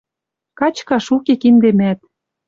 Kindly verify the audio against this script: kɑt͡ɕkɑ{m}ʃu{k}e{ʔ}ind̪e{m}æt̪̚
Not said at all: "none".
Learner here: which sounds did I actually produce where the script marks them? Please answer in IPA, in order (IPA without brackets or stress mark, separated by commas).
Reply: none, k, k, m